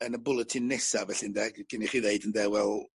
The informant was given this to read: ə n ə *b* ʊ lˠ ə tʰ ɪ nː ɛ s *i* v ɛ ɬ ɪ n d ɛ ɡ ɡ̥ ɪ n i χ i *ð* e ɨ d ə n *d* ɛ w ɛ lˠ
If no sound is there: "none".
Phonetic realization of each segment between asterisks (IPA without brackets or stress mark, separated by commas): b, a, ð, d